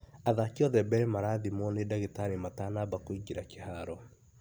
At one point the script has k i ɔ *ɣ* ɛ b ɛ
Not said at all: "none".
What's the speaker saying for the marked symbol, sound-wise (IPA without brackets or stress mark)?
ð